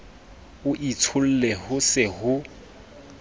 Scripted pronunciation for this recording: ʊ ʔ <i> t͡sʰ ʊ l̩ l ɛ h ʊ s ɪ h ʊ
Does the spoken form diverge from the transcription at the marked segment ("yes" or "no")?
no